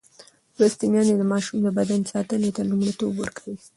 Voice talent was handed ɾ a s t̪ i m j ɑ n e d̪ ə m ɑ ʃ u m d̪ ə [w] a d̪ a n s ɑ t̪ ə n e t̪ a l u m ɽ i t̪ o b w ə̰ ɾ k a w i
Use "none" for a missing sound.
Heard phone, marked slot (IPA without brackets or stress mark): b